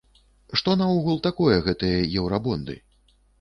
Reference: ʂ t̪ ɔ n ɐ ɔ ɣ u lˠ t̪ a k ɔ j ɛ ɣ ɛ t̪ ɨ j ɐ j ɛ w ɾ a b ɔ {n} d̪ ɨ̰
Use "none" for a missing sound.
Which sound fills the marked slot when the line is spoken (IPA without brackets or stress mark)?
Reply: n